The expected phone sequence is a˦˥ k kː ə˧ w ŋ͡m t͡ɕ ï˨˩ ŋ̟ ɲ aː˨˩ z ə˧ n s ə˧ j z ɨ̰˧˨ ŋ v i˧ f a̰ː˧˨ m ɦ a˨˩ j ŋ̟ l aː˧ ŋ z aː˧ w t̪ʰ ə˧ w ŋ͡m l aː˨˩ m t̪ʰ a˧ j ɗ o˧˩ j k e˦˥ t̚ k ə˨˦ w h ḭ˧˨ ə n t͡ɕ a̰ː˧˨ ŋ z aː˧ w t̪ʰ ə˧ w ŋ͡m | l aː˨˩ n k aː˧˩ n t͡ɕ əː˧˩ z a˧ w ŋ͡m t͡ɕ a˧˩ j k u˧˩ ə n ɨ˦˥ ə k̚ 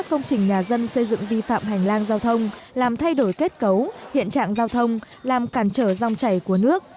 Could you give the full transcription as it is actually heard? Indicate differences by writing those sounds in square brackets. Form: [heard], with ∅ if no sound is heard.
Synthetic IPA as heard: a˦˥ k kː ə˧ w ŋ͡m t͡ɕ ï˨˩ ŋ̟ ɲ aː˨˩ z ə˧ n s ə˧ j z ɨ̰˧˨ ŋ v i˧ f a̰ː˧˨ m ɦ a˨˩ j ŋ̟ l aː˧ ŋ z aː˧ w t̪ʰ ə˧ w ŋ͡m l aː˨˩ m t̪ʰ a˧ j ɗ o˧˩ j k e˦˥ t̚ k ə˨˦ w h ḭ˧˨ ə n t͡ɕ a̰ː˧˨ ŋ z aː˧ w t̪ʰ ə˧ w ŋ͡m | l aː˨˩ [m] k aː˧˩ n t͡ɕ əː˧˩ z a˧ w ŋ͡m t͡ɕ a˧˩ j k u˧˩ ə n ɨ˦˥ ə k̚